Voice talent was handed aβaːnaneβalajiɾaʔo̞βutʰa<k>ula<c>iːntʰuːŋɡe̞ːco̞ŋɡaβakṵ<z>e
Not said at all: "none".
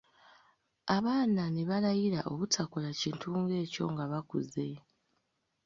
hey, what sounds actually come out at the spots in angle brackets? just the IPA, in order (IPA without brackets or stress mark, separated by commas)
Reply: k, c, z